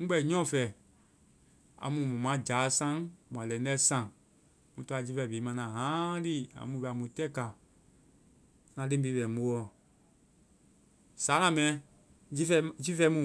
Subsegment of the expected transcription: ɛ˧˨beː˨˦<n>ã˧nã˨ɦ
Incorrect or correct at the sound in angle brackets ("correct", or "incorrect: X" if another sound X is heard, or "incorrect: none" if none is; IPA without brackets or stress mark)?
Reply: incorrect: m